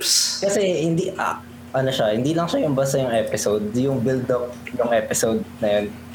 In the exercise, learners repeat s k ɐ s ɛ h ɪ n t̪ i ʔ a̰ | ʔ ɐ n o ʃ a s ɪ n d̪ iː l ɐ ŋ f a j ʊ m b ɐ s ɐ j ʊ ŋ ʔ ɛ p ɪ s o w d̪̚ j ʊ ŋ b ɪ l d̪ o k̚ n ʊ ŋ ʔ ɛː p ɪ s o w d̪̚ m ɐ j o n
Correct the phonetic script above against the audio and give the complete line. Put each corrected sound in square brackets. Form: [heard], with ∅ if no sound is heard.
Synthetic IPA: s k ɐ s ɛ h ɪ n [d̪] i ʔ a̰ | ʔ ɐ n o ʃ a [h] ɪ n d̪ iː l ɐ ŋ [ʃ] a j ʊ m b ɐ s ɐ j ʊ ŋ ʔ ɛ p ɪ s o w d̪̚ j ʊ ŋ b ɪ l d̪ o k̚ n ʊ ŋ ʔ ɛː p ɪ s o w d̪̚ [n] ɐ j o n